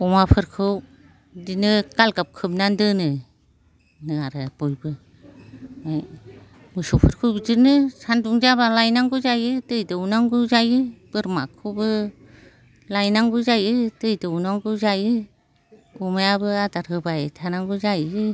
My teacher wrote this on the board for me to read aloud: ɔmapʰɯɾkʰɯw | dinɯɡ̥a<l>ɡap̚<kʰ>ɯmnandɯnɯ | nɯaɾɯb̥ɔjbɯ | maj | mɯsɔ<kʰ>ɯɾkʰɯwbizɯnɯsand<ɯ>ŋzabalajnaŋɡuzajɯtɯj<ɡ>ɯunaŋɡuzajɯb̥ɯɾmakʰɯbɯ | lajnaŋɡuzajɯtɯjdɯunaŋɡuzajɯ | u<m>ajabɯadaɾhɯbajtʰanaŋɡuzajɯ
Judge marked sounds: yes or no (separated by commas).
yes, yes, no, no, no, yes